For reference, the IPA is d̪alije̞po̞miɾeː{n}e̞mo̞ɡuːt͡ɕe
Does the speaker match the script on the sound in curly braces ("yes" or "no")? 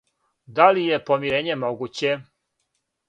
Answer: no